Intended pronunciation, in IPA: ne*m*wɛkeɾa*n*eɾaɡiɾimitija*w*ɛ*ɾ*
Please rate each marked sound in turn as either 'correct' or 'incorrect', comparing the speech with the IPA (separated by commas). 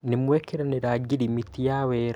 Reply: correct, correct, correct, correct